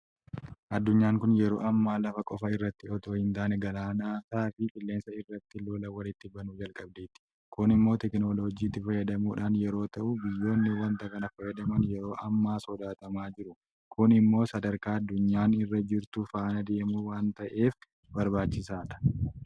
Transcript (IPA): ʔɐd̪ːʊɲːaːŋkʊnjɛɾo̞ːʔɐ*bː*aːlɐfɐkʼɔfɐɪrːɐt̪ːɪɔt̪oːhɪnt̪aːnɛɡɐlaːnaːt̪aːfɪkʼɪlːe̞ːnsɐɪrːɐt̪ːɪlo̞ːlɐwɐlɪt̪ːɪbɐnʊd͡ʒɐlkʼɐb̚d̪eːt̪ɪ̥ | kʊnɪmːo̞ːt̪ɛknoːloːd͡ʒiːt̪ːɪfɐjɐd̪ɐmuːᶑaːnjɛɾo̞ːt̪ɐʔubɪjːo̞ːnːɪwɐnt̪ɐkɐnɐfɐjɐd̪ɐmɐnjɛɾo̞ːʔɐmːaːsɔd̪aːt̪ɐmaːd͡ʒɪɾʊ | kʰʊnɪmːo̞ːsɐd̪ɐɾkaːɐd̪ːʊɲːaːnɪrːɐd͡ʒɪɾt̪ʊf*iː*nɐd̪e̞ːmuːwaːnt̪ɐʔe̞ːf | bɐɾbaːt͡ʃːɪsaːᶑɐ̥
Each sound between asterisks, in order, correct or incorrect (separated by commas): incorrect, incorrect